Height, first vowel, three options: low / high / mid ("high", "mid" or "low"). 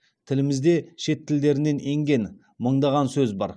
high